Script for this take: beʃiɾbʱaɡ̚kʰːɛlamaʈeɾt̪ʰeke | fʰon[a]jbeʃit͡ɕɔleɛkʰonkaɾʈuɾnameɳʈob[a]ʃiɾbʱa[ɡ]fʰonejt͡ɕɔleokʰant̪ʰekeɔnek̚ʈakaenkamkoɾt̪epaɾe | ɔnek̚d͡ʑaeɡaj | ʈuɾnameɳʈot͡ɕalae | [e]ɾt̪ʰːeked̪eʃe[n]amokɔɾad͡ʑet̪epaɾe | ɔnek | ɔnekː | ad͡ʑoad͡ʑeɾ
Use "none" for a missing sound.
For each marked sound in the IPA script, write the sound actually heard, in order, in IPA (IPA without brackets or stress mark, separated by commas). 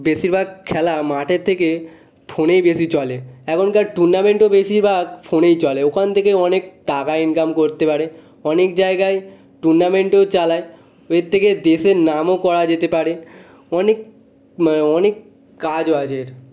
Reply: e, e, ɡ, e, n